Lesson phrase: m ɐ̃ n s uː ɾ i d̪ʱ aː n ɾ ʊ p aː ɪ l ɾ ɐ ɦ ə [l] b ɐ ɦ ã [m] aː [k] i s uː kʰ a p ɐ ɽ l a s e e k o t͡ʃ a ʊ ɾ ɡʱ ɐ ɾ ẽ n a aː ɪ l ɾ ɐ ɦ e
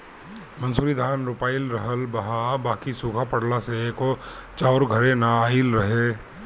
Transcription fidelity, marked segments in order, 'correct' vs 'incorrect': correct, incorrect: b, correct

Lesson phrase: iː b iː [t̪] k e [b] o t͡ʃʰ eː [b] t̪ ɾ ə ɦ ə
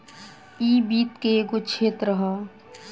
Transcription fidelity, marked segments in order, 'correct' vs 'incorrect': correct, incorrect: ɡ, incorrect: none

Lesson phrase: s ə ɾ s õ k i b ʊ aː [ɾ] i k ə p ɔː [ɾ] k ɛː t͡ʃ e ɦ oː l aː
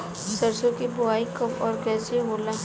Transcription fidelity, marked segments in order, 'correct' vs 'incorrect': incorrect: none, correct

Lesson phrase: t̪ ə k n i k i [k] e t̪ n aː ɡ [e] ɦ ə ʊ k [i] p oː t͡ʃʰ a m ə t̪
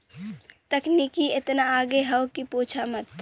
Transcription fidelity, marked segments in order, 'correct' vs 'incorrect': incorrect: none, correct, correct

